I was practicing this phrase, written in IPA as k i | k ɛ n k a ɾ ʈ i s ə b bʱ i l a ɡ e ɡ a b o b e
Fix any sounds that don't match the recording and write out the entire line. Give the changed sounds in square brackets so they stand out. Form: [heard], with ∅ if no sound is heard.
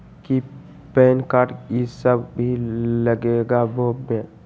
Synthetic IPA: k i | [p] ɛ n k a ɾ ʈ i s ə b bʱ i l [ə] ɡ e ɡ a b o b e

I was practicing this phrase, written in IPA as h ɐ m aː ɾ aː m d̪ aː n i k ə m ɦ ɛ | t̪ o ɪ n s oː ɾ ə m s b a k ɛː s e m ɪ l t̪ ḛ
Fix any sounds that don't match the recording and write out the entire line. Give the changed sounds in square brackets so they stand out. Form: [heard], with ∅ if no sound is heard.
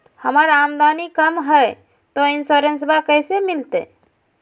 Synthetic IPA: h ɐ m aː ɾ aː m d̪ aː n i k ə m ɦ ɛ | t̪ o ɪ n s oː ɾ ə [n] s b a k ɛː s e m ɪ l t̪ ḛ

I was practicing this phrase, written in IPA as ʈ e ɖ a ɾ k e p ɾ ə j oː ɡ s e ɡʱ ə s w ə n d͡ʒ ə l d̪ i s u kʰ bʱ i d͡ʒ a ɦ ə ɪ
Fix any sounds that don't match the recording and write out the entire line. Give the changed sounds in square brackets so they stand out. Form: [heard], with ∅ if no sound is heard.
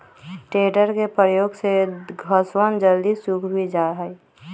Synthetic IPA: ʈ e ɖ [ə] ɾ k e p ɾ ə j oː ɡ s e ɡʱ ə s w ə n d͡ʒ ə l d̪ i s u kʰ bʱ i d͡ʒ a ɦ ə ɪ

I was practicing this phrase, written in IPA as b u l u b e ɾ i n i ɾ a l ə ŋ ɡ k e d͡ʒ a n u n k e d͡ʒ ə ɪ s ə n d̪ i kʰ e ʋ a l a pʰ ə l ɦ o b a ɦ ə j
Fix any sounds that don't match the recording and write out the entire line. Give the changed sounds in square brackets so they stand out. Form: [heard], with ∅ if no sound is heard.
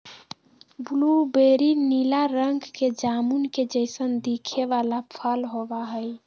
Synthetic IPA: b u l u b e ɾ i n i [l] a [ɾ] ə ŋ ɡ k e d͡ʒ a [m] u n k e d͡ʒ ə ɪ s ə n d̪ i kʰ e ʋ a l a pʰ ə l ɦ o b a ɦ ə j

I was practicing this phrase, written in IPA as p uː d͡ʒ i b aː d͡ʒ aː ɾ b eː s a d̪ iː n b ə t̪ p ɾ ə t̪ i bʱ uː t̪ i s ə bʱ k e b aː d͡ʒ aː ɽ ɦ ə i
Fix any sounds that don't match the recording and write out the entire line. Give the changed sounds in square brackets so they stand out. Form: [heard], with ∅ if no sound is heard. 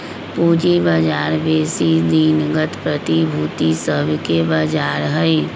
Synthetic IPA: p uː d͡ʒ i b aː d͡ʒ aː ɾ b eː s [i] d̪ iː n [ɡ] ə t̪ p ɾ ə t̪ i bʱ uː t̪ i s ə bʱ k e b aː d͡ʒ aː [ɾ] ɦ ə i

